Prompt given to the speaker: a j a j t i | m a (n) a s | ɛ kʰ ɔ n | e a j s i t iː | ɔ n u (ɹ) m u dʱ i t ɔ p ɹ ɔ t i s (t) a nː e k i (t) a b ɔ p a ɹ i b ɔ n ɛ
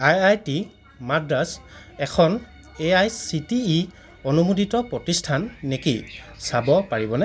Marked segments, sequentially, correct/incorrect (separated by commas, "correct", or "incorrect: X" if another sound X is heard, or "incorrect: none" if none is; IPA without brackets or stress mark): incorrect: d, incorrect: none, incorrect: tʰ, incorrect: s